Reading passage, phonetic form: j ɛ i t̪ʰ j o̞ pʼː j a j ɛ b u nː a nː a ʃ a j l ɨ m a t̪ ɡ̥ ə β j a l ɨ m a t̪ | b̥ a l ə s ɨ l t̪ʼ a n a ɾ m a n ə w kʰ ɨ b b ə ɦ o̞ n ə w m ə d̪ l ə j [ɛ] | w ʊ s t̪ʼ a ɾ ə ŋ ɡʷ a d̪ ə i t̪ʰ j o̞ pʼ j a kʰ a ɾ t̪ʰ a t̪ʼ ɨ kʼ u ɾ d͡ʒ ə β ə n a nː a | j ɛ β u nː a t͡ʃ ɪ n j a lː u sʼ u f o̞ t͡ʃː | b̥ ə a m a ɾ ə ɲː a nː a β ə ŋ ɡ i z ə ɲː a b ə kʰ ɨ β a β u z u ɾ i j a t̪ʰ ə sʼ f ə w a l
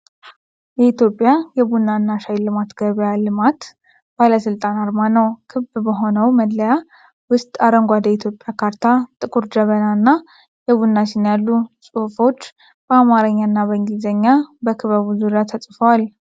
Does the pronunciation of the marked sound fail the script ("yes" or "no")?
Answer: yes